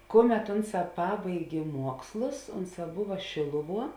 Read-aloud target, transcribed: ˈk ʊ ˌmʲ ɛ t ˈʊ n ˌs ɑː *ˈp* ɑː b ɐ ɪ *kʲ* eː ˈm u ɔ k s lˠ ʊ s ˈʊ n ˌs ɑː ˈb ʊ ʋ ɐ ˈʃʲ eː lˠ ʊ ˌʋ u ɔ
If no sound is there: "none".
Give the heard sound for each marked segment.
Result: p, ɡʲ

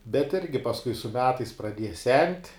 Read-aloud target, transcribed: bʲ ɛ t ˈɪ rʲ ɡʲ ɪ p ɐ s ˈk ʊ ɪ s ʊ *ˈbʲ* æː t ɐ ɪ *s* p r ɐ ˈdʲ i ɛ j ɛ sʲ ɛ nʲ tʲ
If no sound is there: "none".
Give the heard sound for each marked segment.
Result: mʲ, s

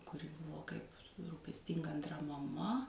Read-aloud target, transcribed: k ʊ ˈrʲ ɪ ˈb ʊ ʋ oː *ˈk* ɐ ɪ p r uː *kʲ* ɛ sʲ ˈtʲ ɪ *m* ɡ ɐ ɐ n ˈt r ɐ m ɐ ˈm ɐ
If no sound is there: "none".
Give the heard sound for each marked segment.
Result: k, pʲ, ŋ

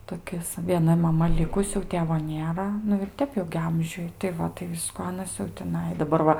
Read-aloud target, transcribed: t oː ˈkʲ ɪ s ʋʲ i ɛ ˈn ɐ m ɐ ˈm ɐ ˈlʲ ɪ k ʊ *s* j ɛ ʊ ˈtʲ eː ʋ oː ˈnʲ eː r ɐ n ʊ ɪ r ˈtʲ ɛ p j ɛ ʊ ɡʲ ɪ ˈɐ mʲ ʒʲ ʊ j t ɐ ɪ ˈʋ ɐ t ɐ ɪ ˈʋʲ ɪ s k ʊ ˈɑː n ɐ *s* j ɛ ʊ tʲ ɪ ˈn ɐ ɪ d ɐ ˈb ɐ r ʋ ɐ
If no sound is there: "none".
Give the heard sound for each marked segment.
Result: s, s

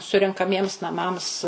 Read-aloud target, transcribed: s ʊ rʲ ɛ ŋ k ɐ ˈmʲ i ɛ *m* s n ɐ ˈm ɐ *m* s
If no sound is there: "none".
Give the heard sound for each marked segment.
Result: m, m

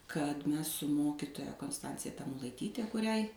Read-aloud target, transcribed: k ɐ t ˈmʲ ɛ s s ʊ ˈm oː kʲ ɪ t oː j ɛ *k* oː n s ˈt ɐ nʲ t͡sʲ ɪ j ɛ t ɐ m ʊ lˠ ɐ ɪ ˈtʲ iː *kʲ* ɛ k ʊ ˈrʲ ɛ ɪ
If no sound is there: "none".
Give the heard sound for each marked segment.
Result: k, tʲ

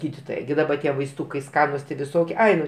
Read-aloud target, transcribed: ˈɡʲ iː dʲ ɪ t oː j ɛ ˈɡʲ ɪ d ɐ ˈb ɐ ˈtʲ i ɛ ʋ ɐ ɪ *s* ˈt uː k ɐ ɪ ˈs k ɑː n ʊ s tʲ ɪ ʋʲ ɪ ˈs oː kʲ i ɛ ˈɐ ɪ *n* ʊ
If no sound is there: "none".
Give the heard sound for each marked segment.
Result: s, n

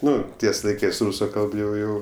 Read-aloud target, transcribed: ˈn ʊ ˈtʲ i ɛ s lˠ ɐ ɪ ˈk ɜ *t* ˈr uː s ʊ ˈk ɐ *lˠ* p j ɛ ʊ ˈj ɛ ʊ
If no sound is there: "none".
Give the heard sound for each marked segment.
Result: s, lˠ

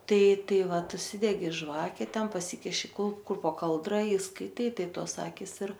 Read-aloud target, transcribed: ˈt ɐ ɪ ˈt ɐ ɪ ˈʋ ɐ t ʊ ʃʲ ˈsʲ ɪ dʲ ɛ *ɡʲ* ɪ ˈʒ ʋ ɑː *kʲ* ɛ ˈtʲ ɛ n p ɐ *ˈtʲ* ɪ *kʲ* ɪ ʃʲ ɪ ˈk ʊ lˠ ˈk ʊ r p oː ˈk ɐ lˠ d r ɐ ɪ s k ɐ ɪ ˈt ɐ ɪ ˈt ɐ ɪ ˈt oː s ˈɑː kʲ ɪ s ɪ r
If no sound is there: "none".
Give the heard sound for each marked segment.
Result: ɡʲ, kʲ, sʲ, kʲ

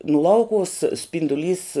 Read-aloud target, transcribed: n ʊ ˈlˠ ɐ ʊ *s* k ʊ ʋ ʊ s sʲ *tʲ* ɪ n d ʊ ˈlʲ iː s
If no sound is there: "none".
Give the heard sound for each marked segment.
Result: none, pʲ

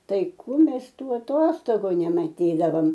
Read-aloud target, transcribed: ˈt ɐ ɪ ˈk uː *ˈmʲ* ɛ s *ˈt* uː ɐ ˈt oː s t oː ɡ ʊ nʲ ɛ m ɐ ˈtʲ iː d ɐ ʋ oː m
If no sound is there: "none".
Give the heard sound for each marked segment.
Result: mʲ, t

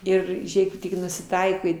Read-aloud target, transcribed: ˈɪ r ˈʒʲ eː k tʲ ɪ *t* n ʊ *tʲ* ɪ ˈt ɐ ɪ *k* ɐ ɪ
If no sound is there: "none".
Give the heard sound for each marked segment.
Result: k, sʲ, k

